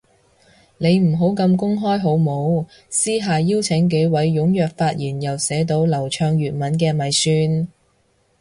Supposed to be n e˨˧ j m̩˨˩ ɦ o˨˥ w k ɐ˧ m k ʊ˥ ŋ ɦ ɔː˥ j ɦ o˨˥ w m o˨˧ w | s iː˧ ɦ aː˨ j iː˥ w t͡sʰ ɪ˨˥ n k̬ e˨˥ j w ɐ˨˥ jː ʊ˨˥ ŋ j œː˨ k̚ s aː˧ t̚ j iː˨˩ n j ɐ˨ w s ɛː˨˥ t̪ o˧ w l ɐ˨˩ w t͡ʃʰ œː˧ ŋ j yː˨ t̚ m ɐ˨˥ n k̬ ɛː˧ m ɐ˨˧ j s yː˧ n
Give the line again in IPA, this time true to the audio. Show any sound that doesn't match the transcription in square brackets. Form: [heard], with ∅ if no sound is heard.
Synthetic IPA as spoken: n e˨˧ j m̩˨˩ ɦ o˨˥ w k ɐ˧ m k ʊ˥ ŋ ɦ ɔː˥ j ɦ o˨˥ w m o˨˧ w | s [iː˥] ɦ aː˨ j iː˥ w t͡sʰ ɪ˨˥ [ŋ] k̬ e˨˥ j w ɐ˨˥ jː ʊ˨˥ ŋ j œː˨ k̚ [f] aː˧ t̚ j iː˨˩ n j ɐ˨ w s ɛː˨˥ t̪ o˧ w l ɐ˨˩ w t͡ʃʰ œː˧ ŋ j yː˨ t̚ m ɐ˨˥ n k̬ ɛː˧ m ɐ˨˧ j s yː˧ n